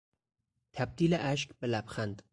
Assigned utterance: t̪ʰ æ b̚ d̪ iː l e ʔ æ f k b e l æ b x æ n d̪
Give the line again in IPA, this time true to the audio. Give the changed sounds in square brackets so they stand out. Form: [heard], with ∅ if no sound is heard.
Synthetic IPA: t̪ʰ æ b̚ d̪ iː l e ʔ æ [ʃ] k b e l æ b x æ n d̪